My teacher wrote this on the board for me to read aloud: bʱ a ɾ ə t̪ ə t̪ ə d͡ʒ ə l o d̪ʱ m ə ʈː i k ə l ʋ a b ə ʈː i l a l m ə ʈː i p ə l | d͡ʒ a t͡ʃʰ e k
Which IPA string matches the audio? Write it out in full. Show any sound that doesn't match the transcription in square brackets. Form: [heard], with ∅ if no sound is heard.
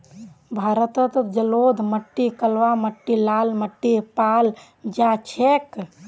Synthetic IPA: bʱ a ɾ ə t̪ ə t̪ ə d͡ʒ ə l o d̪ʱ m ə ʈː i k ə l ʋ a [m] ə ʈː i l a l m ə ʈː i p [a] l | d͡ʒ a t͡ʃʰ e k